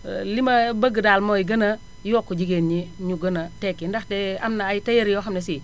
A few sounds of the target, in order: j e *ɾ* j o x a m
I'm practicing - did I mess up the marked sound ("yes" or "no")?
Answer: no